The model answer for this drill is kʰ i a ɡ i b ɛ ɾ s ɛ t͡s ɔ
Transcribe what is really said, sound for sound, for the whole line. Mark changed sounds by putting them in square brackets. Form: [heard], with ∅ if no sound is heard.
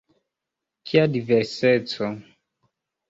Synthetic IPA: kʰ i a [d] i [v] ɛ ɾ s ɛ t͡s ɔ